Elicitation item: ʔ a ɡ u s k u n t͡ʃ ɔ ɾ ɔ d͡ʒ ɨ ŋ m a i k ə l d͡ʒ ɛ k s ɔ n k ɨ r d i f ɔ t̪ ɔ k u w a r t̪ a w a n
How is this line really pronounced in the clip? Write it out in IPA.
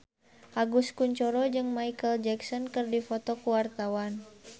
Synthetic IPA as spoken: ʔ a ɡ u s k u ɲ t͡ʃ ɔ ɾ ɔ d͡ʒ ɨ ŋ m a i k ə l d͡ʒ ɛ k s ɔ n k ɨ r d i f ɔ t̪ ɔ k u w a r t̪ a w a n